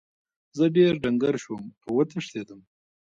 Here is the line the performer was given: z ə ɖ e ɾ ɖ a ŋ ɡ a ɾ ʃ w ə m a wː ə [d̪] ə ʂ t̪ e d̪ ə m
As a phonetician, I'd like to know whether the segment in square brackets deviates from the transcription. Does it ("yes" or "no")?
yes